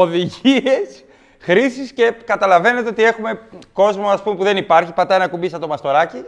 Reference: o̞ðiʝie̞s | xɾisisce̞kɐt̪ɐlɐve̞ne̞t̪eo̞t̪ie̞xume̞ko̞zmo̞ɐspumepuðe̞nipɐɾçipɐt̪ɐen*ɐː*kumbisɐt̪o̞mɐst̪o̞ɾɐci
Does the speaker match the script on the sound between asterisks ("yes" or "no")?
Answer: no